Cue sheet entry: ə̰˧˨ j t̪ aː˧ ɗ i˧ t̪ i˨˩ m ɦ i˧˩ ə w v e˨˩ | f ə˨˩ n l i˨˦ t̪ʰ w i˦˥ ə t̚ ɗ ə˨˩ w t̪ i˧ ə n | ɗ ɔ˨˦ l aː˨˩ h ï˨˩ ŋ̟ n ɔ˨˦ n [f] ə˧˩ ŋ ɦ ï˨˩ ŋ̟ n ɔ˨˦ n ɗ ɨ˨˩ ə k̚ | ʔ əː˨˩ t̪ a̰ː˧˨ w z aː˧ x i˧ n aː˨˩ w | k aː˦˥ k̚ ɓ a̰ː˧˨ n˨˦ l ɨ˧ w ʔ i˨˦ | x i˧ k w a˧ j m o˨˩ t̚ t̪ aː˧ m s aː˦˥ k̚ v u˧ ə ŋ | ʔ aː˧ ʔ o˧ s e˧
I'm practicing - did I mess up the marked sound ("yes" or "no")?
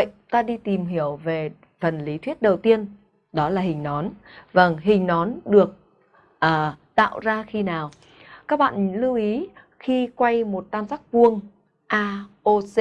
yes